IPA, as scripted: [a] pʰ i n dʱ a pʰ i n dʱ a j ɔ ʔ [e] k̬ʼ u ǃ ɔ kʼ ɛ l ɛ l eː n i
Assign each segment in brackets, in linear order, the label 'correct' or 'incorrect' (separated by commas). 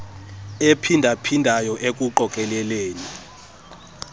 incorrect, correct